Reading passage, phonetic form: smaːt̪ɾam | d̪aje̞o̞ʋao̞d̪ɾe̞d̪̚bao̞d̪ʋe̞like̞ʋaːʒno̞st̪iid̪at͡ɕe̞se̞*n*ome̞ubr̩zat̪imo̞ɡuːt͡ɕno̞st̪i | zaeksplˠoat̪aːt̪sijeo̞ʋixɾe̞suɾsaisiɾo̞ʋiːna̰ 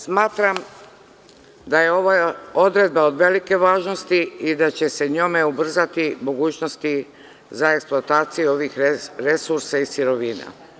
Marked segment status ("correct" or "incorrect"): incorrect